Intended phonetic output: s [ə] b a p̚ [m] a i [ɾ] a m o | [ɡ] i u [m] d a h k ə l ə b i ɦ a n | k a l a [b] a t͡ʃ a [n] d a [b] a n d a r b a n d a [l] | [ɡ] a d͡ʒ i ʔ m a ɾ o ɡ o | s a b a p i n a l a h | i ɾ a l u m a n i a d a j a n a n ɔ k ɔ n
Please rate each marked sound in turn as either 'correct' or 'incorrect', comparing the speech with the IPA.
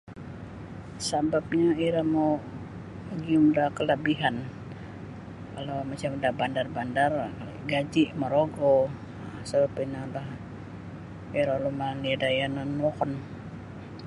incorrect, incorrect, correct, correct, correct, incorrect, incorrect, correct, incorrect, correct

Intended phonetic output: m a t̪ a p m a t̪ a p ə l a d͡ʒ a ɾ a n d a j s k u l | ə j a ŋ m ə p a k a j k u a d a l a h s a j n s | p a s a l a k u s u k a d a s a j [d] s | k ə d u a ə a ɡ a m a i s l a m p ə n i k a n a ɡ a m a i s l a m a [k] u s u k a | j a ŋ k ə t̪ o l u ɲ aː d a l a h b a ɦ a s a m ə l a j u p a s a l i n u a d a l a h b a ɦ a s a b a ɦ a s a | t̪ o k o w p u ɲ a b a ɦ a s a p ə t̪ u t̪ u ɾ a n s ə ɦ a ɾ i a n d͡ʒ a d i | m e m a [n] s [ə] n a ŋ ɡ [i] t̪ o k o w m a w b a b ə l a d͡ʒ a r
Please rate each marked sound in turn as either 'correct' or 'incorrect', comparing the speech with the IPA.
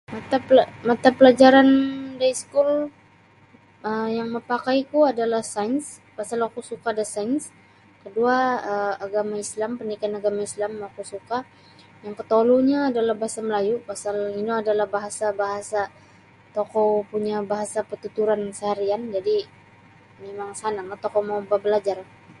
incorrect, correct, incorrect, incorrect, incorrect

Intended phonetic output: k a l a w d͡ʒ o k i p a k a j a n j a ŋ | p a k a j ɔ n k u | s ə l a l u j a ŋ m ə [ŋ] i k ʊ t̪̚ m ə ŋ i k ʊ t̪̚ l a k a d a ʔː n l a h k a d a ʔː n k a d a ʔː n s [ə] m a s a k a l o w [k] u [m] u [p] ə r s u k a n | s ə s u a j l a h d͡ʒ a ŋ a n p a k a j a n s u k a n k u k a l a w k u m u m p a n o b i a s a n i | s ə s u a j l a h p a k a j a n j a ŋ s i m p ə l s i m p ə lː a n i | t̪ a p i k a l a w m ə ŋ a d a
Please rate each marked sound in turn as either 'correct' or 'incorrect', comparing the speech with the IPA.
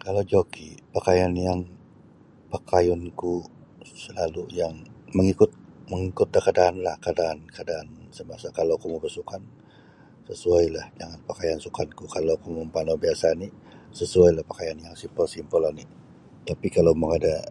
correct, correct, correct, correct, incorrect

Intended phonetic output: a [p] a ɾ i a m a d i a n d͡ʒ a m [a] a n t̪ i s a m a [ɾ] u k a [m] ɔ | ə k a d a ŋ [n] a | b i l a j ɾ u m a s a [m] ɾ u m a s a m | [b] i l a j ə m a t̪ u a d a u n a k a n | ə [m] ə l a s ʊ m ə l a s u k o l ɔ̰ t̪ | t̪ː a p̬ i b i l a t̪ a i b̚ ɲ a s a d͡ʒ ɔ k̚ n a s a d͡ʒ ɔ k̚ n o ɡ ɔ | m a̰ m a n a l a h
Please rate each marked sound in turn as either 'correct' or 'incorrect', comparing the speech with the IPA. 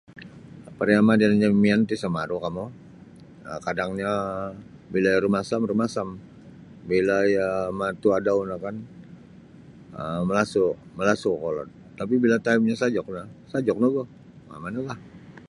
correct, incorrect, correct, correct, incorrect, correct, correct, correct

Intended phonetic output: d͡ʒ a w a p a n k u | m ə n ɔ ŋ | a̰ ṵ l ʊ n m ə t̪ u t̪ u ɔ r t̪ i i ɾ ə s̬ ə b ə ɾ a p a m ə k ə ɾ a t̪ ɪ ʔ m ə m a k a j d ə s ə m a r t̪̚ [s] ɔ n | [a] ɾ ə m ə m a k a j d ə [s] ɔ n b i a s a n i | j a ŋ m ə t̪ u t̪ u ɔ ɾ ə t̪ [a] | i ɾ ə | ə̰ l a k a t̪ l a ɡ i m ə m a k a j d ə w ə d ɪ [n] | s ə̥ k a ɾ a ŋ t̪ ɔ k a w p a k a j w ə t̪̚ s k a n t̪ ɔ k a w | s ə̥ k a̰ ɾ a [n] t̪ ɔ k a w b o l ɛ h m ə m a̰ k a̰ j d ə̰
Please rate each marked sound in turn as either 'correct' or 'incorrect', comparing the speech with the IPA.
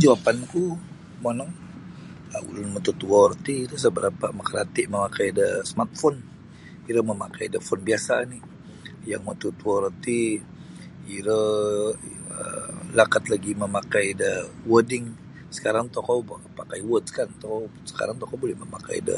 incorrect, incorrect, incorrect, incorrect, incorrect, incorrect

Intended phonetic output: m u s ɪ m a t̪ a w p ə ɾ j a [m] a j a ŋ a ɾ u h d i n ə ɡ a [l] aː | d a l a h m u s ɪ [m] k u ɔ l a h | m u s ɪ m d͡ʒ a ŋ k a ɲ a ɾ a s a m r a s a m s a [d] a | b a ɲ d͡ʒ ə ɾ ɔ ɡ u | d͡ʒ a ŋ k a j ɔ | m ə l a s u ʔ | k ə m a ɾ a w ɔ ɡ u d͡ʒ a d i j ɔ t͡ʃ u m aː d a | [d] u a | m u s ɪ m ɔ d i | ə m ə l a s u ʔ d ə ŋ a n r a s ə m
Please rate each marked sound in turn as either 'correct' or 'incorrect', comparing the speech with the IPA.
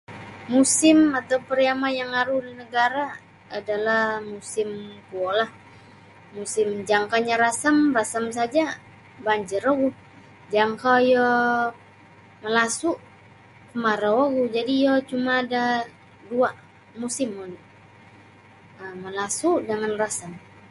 correct, incorrect, correct, incorrect, correct

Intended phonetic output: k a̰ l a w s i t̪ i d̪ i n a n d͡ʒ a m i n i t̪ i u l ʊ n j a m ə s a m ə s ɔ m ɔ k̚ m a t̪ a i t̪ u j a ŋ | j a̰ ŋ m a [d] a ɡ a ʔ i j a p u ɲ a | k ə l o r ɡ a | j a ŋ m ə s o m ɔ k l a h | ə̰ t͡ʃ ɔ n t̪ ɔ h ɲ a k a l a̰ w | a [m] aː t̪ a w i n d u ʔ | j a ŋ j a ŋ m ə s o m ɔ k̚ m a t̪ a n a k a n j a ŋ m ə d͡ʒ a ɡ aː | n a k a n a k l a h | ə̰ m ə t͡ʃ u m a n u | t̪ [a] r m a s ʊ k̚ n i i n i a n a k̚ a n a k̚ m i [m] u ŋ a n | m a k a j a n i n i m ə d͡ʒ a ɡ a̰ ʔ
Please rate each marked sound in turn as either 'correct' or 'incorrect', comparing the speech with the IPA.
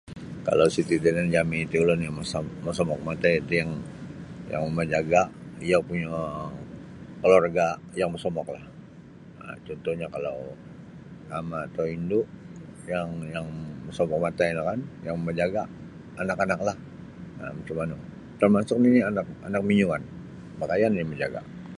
incorrect, correct, incorrect, incorrect

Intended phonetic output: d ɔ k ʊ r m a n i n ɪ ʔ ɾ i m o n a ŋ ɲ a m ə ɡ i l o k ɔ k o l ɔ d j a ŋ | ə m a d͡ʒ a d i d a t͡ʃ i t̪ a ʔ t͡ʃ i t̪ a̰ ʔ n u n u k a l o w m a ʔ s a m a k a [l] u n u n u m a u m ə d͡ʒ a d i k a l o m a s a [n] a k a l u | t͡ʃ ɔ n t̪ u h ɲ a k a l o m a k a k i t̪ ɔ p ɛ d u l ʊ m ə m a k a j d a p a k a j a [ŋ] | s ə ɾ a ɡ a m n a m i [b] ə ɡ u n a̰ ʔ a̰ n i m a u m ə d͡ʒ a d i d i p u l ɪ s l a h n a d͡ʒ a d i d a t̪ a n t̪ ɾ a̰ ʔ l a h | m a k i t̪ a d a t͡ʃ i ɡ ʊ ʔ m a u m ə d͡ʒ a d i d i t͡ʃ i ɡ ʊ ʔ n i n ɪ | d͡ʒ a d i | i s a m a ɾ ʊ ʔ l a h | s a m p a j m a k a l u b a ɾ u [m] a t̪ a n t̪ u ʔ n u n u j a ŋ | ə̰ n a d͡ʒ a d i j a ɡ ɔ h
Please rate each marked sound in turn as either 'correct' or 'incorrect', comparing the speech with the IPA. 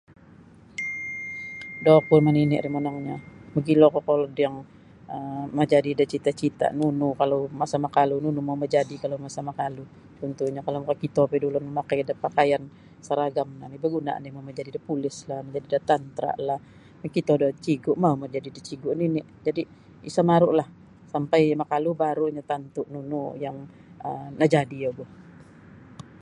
correct, incorrect, incorrect, correct, incorrect

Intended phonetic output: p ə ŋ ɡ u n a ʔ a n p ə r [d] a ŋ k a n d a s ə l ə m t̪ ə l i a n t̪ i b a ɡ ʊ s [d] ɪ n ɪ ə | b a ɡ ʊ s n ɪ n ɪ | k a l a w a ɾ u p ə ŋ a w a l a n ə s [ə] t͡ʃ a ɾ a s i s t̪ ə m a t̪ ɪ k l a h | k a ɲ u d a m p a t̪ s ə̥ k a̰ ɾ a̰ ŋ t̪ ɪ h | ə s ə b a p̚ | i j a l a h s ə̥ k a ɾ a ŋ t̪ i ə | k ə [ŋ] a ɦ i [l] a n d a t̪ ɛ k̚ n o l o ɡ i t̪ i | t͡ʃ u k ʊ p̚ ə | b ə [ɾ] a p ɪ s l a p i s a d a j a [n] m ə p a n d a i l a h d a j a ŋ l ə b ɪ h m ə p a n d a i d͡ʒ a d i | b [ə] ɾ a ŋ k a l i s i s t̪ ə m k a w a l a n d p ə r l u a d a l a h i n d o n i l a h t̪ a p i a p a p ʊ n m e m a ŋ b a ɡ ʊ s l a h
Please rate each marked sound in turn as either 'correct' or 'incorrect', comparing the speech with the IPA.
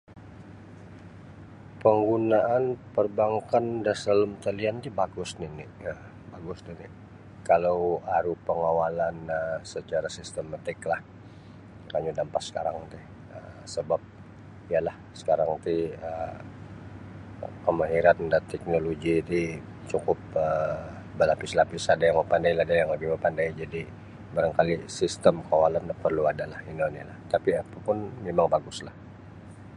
incorrect, incorrect, correct, incorrect, incorrect, incorrect, incorrect, incorrect

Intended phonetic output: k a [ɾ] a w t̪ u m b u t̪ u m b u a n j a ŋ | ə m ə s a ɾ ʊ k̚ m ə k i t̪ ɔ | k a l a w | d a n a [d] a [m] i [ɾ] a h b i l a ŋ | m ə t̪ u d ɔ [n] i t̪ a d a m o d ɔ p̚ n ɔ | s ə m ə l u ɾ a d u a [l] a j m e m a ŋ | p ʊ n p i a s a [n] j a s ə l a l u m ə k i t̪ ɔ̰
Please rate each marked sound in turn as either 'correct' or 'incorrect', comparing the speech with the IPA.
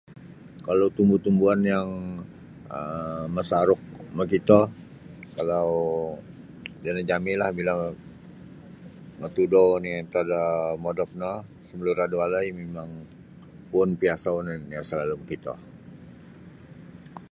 incorrect, incorrect, correct, incorrect, correct, correct, correct

